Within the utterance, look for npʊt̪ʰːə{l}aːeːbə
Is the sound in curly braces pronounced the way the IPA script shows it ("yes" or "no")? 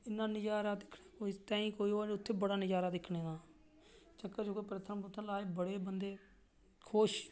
yes